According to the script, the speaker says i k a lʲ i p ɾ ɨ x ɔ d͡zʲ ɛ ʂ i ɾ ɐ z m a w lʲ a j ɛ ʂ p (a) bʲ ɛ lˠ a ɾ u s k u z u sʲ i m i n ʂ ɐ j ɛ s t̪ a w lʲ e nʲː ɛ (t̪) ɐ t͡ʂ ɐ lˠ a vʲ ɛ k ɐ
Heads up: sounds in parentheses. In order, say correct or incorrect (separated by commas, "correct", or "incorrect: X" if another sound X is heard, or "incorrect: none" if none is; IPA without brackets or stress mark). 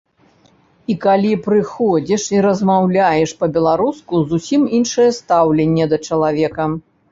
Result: incorrect: ɐ, incorrect: d̪